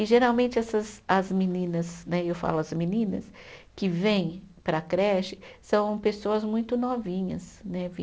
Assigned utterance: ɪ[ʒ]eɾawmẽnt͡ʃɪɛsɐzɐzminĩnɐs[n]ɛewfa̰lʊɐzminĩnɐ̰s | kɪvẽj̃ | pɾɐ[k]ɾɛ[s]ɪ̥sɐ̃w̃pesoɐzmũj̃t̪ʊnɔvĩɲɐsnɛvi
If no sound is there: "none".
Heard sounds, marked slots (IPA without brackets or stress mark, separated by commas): ʒ, n, k, ʃ